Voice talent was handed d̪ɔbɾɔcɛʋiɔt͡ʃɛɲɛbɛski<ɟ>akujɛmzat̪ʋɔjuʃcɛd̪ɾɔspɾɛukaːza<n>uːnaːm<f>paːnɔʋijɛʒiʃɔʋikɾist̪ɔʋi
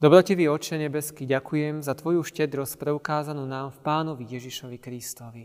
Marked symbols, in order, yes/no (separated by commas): yes, yes, yes